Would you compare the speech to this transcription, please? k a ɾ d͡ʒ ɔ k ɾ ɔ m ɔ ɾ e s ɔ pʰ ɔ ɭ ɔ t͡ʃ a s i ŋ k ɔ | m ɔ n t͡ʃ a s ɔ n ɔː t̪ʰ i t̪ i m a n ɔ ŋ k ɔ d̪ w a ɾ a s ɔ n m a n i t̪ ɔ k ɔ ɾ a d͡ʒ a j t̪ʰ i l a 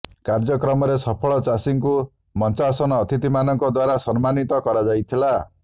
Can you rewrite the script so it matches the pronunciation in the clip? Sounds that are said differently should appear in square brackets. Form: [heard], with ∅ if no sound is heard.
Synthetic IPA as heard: k a ɾ d͡ʒ ɔ k ɾ ɔ m ɔ ɾ e s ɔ pʰ ɔ ɭ ɔ t͡ʃ a s i ŋ k [u] | m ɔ n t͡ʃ a s ɔ n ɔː t̪ʰ i t̪ i m a n ɔ ŋ k ɔ d̪ w a ɾ a s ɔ n m a n i t̪ ɔ k ɔ ɾ a d͡ʒ a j t̪ʰ i l a